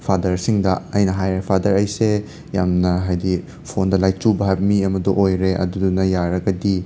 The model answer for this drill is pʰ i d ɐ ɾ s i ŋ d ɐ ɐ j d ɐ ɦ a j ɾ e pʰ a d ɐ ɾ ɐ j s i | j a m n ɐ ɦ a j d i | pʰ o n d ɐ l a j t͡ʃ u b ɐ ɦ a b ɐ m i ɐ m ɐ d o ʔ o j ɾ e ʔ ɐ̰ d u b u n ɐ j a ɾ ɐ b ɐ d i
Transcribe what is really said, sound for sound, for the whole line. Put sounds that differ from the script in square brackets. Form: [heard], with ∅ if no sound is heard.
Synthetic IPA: pʰ [a] d ɐ ɾ s i ŋ d ɐ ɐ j [n] ɐ ɦ a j ɾ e pʰ a d ɐ ɾ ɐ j s [e] | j a m n ɐ ɦ a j d i | pʰ o n d ɐ l a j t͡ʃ u b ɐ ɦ a b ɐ m i ɐ m ɐ d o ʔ o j ɾ e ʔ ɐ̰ d u [d] u n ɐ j a ɾ ɐ [ɡ] ɐ d i